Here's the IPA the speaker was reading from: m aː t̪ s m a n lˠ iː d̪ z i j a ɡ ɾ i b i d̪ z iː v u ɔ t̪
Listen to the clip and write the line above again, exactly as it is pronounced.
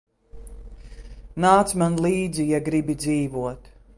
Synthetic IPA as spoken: n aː t̪ s m a n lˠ iː d̪ z i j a ɡ ɾ i b i d̪ z iː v u ɔ t̪